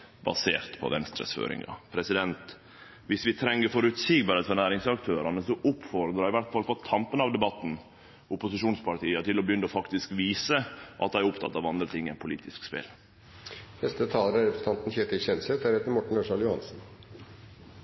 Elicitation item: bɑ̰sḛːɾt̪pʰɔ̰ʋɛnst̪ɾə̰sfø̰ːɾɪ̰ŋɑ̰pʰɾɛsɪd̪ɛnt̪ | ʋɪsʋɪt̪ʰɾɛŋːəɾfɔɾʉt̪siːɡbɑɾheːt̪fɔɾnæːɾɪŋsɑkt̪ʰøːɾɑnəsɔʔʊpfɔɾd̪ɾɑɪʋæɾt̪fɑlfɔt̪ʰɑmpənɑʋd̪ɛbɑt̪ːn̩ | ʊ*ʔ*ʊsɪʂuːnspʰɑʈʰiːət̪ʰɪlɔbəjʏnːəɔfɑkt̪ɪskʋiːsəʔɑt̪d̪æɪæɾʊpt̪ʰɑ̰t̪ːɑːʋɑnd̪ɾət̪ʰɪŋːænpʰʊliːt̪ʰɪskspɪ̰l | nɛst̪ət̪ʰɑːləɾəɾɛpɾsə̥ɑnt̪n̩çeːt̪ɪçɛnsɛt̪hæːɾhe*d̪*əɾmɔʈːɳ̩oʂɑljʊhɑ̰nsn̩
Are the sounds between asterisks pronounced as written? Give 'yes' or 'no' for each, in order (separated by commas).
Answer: no, no